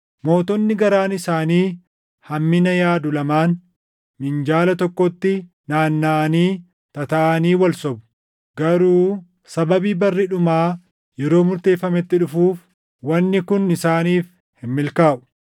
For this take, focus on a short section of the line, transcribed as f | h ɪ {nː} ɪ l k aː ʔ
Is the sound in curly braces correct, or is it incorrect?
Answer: incorrect